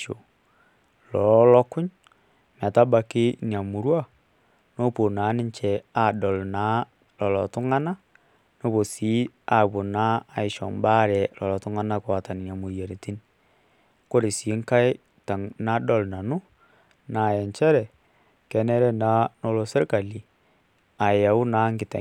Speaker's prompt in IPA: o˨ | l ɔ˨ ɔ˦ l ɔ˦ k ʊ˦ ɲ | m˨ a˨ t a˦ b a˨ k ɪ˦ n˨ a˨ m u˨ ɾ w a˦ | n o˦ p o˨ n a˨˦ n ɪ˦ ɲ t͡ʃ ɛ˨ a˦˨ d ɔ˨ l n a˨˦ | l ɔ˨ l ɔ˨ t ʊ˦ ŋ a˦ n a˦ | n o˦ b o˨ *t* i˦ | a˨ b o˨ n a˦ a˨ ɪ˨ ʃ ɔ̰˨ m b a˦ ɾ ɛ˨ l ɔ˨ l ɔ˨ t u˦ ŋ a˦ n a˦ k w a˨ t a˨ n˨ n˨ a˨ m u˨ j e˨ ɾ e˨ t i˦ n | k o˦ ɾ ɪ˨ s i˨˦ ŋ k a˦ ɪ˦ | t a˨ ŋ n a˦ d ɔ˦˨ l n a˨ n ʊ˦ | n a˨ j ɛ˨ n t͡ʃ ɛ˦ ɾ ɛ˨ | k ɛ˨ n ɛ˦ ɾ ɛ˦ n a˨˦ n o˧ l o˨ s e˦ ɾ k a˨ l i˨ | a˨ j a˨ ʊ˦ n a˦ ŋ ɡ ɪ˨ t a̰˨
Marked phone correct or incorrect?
incorrect